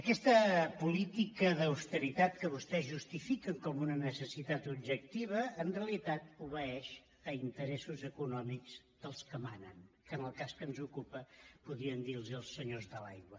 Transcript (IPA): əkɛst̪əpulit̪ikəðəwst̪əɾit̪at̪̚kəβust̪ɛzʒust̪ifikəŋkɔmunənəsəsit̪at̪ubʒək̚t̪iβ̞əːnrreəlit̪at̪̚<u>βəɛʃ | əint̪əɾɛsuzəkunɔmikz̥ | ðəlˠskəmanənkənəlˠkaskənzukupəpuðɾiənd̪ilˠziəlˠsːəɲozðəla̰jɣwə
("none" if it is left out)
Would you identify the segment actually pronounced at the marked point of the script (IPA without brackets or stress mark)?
u